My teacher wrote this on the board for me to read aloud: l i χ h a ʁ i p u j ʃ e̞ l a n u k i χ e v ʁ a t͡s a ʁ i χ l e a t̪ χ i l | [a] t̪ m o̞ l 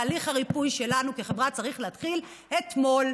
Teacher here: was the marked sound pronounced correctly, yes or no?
no